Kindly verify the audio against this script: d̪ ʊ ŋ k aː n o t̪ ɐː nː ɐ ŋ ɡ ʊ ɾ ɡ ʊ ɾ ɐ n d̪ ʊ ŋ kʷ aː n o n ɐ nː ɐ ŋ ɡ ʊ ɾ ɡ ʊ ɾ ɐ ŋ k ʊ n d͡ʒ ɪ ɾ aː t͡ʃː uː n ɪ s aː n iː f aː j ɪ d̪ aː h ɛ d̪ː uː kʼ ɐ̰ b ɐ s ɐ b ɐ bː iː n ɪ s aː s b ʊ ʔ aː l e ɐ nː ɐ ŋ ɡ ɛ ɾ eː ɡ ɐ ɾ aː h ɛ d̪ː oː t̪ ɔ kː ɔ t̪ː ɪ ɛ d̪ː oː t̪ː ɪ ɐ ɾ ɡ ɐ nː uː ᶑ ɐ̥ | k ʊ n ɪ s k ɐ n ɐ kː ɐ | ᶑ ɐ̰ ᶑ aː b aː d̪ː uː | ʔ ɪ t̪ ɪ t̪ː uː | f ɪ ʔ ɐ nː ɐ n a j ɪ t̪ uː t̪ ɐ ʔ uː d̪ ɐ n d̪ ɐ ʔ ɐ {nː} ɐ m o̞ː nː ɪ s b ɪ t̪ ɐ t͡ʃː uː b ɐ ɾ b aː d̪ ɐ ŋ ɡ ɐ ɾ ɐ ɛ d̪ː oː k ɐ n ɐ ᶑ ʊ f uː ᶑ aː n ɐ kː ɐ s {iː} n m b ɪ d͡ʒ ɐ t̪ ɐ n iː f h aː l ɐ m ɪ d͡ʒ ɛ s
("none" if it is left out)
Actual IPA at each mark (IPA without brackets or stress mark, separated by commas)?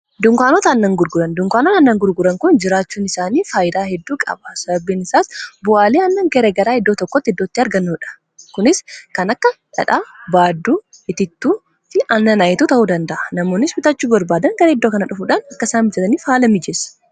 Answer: n, aː